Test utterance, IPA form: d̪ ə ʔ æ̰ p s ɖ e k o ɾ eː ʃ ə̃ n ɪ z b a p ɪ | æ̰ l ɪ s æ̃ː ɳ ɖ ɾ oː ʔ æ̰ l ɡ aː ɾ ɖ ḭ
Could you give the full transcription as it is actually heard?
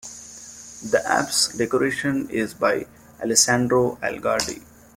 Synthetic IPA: d̪ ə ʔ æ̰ p s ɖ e k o ɾ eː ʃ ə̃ n ɪ z b a ɪ | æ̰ l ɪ s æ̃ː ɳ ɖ ɾ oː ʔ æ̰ l ɡ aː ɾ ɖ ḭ